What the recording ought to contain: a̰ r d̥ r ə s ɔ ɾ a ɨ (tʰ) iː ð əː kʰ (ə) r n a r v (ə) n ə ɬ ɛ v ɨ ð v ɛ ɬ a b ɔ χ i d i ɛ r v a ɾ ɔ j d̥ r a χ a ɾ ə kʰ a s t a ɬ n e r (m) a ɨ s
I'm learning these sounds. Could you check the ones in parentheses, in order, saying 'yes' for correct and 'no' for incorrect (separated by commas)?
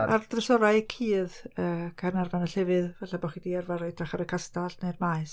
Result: no, no, no, yes